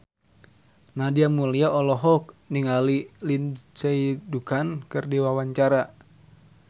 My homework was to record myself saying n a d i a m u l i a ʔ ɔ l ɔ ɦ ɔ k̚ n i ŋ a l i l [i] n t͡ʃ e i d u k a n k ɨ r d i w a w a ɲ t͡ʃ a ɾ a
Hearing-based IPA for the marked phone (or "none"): i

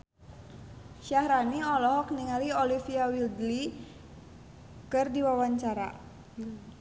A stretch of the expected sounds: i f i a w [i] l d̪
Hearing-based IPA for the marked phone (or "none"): i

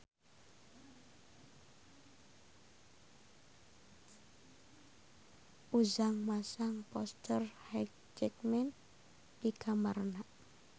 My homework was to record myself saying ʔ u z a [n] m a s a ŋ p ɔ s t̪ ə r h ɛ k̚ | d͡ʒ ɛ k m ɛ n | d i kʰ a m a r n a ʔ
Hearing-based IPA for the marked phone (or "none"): ŋ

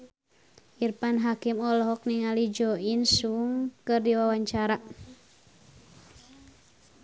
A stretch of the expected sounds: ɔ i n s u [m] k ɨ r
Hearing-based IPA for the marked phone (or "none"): ŋ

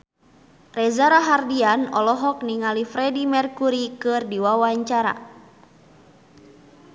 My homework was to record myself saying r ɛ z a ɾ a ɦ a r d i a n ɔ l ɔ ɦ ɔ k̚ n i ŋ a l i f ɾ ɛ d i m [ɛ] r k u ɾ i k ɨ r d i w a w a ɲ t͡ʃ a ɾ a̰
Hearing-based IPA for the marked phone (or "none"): ɛ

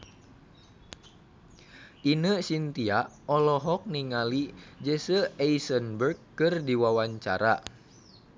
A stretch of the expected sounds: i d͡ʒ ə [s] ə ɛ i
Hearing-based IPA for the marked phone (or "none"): s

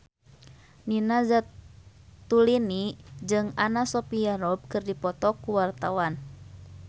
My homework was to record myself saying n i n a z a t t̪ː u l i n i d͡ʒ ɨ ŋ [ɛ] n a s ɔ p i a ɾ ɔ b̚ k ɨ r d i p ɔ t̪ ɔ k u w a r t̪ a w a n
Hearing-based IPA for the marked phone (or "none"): a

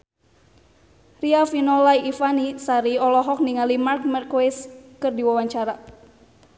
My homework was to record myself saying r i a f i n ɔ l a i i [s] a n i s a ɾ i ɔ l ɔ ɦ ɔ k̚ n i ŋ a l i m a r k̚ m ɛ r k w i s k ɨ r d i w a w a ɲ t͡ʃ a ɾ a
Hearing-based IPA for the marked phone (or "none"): f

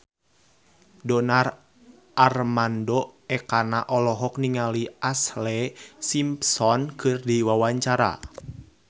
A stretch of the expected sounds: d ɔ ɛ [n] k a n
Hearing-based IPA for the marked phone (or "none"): none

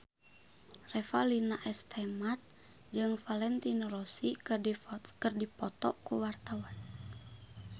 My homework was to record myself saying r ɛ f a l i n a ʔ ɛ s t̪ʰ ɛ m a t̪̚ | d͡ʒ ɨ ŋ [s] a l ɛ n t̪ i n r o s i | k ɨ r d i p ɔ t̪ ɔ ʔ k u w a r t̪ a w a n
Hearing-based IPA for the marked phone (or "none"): f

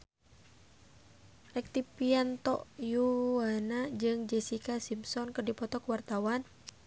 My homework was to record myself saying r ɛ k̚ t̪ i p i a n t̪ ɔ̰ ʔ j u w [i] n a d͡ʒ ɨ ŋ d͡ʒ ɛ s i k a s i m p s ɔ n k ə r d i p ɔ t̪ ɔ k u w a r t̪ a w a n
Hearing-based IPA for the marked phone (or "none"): a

